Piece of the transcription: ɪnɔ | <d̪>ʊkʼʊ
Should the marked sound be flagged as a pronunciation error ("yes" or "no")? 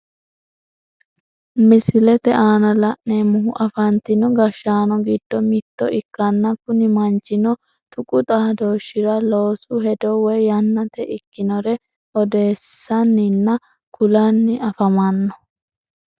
yes